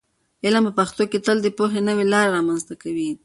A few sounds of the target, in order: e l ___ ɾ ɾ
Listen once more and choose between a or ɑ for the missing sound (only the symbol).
ɑ